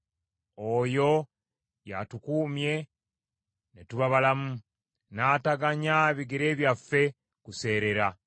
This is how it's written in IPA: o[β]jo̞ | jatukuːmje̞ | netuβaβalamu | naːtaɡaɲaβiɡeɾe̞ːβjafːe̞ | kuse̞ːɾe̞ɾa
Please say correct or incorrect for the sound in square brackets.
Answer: incorrect: none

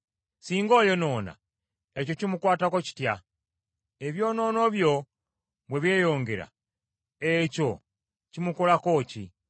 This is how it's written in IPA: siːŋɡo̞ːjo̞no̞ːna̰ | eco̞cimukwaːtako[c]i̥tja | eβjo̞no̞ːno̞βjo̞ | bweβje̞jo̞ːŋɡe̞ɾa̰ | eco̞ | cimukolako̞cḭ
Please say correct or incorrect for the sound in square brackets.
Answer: correct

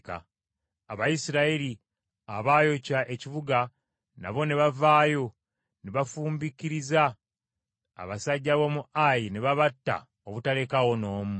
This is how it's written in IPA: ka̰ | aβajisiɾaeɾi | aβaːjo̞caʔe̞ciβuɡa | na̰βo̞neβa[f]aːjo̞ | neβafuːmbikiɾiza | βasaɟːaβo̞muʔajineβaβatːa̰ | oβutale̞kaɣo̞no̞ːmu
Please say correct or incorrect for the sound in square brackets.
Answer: incorrect: v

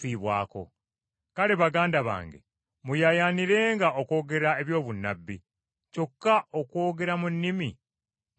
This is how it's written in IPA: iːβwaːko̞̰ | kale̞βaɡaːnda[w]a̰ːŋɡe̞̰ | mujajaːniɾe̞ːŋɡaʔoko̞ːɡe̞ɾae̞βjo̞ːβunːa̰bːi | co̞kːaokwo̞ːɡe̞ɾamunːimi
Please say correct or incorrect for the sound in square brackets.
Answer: incorrect: β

